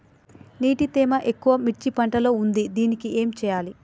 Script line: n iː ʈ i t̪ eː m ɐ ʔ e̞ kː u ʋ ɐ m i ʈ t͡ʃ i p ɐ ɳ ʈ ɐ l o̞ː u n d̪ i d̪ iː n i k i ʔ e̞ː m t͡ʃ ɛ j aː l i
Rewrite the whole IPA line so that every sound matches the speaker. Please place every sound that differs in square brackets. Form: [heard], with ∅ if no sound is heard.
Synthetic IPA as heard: n iː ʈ i t̪ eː m ɐ ʔ e̞ kː u ʋ ɐ m i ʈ t͡ʃ i p ɐ ɳ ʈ ɐ l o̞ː u n d̪ i d̪ iː n i k i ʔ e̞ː m t͡ʃ [ɛː] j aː l i